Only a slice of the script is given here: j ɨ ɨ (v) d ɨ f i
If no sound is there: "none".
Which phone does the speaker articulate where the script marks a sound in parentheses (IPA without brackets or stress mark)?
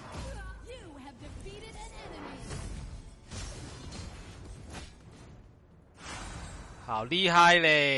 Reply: v